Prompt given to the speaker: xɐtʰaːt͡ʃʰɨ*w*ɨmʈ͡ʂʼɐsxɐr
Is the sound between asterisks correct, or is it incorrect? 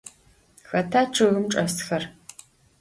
incorrect